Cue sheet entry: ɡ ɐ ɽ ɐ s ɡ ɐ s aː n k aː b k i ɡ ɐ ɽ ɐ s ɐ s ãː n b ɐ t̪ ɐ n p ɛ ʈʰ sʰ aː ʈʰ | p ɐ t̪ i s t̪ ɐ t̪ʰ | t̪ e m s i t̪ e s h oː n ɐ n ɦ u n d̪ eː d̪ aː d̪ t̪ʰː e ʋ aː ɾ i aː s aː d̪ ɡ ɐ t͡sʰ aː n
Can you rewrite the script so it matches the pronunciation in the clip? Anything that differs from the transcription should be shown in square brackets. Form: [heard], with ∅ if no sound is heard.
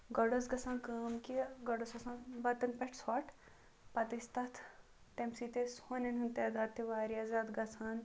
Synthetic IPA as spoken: ɡ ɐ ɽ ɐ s ɡ ɐ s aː n k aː [m] k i ɡ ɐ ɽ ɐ s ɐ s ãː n b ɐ t̪ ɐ n p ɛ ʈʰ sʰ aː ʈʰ | p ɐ t̪ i s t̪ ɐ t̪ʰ | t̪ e m s i t̪ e s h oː n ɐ n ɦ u n [t̪] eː d̪ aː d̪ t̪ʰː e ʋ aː ɾ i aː [z] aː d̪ ɡ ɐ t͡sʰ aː n